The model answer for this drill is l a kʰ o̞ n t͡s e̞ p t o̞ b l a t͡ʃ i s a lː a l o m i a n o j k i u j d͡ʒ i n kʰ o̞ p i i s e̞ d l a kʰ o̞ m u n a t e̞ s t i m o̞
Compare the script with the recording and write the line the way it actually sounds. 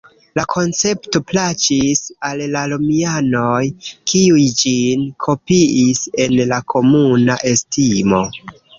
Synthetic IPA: l a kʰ o̞ n t͡s e̞ p t o̞ p l a t͡ʃ i s a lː a l o m i a n o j k i u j d͡ʒ i n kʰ o̞ p i i s e̞ n l a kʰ o̞ m u n a ʔ e̞ s t i m o̞